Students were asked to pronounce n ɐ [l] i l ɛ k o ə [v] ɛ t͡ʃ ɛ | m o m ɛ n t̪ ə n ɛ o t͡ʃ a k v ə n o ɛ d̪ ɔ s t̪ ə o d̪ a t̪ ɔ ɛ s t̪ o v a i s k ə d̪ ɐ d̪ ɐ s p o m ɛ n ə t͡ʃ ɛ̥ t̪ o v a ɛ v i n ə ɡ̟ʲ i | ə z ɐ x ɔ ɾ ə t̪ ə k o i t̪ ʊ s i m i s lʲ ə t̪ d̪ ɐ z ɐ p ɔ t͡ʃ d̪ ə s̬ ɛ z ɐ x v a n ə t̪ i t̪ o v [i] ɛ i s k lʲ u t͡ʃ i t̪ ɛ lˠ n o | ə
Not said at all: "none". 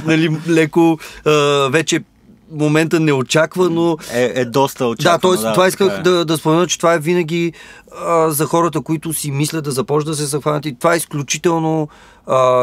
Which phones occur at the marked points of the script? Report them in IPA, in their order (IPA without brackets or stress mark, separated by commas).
l, v, a